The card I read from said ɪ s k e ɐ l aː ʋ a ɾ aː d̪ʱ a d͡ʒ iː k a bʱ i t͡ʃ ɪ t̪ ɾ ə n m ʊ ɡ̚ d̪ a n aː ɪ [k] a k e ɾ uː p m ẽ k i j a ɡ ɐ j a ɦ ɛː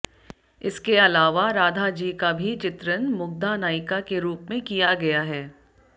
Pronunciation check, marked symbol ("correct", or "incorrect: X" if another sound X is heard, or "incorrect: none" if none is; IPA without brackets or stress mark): correct